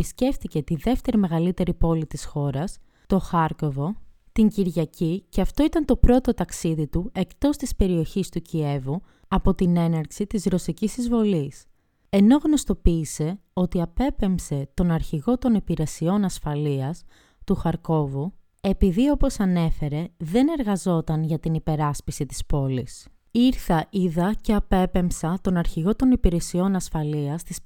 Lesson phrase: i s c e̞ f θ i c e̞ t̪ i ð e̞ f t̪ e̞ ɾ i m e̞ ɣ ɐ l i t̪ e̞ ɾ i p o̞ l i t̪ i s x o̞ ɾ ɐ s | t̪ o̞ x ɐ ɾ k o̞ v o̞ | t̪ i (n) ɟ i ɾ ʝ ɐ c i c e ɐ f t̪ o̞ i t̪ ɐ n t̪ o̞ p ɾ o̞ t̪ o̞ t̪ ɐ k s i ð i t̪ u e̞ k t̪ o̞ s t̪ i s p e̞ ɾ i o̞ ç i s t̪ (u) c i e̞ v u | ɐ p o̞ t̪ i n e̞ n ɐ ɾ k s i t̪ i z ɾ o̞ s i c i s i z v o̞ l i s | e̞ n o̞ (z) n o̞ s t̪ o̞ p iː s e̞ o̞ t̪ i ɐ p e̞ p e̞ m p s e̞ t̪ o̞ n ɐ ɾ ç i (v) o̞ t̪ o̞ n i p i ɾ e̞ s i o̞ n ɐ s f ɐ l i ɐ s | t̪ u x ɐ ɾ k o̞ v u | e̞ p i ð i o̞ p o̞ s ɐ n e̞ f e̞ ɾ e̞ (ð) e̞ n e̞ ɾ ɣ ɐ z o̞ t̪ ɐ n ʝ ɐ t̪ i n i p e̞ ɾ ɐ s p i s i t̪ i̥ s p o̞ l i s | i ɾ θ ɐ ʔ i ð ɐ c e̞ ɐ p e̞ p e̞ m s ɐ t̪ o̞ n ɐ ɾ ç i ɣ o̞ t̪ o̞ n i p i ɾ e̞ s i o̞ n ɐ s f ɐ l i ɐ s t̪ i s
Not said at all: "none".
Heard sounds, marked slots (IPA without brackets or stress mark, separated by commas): ɲ, u, ɣ, ɣ, ð